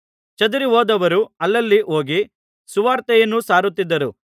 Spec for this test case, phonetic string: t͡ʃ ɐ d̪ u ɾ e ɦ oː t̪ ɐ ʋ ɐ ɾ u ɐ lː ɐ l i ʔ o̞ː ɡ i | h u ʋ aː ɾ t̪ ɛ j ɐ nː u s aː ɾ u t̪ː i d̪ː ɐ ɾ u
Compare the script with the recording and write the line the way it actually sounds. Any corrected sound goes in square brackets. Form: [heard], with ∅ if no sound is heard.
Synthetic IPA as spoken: t͡ʃ ɐ d̪ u ɾ [i] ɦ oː [d̪] ɐ ʋ ɐ ɾ u ɐ lː ɐ [lː] i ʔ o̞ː ɡ i | [s] u ʋ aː ɾ t̪ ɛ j ɐ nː u s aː ɾ u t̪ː i d̪ː ɐ ɾ u